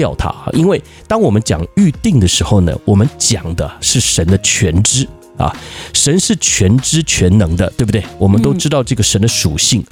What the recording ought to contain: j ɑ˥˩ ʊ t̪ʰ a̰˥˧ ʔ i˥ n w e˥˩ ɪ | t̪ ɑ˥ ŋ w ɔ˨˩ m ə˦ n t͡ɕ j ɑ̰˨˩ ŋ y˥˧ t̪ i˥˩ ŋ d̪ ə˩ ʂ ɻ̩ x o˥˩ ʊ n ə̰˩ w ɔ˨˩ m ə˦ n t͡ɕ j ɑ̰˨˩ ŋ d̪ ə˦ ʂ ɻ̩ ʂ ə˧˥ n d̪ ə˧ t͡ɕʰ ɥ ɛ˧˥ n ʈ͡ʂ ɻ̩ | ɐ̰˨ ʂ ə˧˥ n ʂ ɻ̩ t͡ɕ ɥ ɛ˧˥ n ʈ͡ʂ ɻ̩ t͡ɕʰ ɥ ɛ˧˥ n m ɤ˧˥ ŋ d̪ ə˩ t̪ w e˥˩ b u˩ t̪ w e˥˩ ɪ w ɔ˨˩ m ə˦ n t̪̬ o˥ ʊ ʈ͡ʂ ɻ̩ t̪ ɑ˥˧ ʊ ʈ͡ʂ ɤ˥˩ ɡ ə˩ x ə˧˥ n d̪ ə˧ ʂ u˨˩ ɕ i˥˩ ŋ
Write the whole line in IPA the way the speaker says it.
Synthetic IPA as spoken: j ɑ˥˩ ʊ t̪ʰ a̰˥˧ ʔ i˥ n w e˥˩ ɪ | t̪ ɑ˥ ŋ w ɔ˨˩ m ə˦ n t͡ɕ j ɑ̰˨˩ ŋ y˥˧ t̪ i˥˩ ŋ d̪ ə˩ ʂ ɻ̩ x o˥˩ ʊ n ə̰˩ w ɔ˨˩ m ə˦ n t͡ɕ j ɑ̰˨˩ ŋ d̪ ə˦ ʂ ɻ̩ ʂ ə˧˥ n d̪ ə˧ t͡ɕʰ ɥ ɛ˧˥ n ʈ͡ʂ ɻ̩ | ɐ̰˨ ʂ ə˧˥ n ʂ ɻ̩ t͡ɕʰ ɥ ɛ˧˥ n ʈ͡ʂ ɻ̩ t͡ɕʰ ɥ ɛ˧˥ n n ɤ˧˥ ŋ d̪ ə˧ t̪ w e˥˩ b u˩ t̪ w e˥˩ ɪ w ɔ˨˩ m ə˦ n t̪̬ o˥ ʊ ʈ͡ʂ ɻ̩ t̪ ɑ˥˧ ʊ ʈ͡ʂ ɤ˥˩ ɡ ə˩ ʂ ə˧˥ n d̪ ə˧ ʂ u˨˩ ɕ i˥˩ ŋ